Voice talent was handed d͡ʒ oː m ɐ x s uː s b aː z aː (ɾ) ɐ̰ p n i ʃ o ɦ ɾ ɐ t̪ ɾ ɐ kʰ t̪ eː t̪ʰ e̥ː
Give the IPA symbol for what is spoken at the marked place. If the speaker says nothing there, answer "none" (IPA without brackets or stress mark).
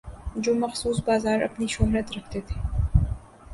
ɾ